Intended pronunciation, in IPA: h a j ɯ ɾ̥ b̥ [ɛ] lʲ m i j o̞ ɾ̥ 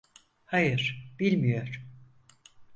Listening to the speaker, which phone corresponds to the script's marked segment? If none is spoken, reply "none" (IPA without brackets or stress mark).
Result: i